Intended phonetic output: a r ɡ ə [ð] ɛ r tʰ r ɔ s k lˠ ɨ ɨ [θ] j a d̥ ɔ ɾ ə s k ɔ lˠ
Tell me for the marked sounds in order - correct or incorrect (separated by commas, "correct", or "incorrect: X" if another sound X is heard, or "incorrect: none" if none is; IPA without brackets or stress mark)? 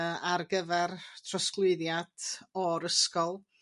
incorrect: v, incorrect: ð